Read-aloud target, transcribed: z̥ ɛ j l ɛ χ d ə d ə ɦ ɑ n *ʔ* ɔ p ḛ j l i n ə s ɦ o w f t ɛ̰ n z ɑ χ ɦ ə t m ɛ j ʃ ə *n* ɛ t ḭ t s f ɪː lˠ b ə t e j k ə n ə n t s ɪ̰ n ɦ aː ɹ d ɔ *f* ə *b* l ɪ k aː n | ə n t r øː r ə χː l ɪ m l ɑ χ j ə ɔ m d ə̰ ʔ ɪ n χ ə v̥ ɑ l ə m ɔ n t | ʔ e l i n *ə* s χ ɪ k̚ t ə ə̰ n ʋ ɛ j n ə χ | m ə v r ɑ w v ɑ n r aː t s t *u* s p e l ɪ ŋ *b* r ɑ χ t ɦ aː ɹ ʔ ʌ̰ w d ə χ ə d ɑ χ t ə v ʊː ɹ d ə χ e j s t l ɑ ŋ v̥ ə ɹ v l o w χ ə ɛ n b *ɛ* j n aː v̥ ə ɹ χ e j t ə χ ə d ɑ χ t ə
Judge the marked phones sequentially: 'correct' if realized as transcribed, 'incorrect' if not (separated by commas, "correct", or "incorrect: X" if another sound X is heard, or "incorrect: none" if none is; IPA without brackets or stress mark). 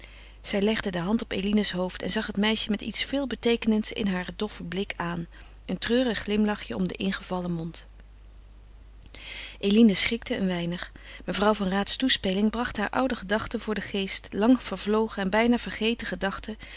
incorrect: t, incorrect: m, correct, correct, correct, correct, correct, correct